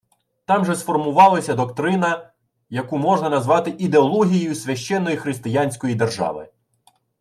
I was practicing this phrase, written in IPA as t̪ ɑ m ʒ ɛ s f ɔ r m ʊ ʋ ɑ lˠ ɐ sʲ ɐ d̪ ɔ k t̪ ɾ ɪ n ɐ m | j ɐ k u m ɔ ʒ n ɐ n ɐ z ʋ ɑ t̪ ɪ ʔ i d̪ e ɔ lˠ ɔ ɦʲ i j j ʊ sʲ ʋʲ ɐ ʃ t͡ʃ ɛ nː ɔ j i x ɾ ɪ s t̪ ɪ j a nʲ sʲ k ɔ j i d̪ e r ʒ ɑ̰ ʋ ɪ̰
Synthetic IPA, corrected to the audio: t̪ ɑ m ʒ ɛ s f ɔ r m ʊ ʋ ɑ lˠ ɐ sʲ ɐ d̪ ɔ k t̪ ɾ ɪ n ɐ | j ɐ k u m ɔ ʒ n ɐ n ɐ z ʋ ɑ t̪ ɪ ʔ i d̪ e ɔ lˠ ɔ ɦʲ i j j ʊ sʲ ʋʲ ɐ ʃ t͡ʃ ɛ nː ɔ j i x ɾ ɪ s t̪ ɪ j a nʲ sʲ k ɔ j i d̪ e r ʒ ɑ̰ ʋ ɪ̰